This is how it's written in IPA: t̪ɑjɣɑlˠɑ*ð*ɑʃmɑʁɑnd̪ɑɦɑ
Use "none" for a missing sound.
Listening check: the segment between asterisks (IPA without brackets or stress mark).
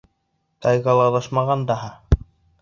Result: ð